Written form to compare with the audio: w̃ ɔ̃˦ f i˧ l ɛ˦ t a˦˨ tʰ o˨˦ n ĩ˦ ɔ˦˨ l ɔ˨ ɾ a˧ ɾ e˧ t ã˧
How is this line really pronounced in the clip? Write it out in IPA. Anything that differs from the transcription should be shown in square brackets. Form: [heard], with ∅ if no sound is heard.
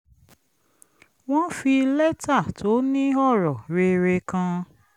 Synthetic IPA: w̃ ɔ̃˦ f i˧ l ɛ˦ t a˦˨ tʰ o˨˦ n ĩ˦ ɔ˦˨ [ɾ] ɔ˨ ɾ [e˧] ɾ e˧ [k] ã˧